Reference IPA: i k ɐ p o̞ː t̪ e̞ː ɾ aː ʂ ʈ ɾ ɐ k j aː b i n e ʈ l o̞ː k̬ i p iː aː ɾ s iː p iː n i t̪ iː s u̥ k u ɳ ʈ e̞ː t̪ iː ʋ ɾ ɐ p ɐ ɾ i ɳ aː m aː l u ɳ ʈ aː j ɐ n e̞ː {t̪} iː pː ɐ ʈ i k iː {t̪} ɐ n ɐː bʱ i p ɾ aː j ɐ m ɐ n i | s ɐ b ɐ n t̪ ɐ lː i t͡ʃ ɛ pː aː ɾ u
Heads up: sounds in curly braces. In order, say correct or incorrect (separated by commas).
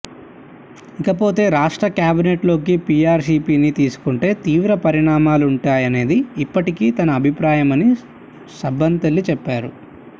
incorrect, correct